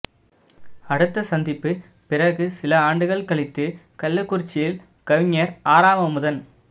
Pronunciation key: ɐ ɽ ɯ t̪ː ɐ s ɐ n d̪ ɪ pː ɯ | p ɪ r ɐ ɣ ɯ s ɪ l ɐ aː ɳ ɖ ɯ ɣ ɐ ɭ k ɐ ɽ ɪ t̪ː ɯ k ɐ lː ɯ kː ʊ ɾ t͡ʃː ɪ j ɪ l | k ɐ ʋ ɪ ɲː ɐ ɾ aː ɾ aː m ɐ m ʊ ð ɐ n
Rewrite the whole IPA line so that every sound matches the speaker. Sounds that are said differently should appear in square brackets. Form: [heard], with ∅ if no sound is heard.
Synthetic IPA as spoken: ɐ ɽ ɯ t̪ː ɐ s ɐ n d̪ ɪ pː ɯ | p ɪ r ɐ ɣ ɯ s ɪ l ɐ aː ɳ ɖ ɯ ɣ ɐ ɭ k ɐ [ɭ] ɪ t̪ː ɯ k ɐ lː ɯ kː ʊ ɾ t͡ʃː ɪ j ɪ l | k ɐ ʋ ɪ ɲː ɐ ɾ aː ɾ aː m ɐ m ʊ ð ɐ n